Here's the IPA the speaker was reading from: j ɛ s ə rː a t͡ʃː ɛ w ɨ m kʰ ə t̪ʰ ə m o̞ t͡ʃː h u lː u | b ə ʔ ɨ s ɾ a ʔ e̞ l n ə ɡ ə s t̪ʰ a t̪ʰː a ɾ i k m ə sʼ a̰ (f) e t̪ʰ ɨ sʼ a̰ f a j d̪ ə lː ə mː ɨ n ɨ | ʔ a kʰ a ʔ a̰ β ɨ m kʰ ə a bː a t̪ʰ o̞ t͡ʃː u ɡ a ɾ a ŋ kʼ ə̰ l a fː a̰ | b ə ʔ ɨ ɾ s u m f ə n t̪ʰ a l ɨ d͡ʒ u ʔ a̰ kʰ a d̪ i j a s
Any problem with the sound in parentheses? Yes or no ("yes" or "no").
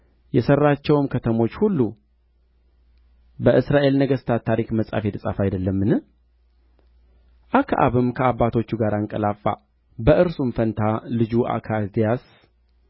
no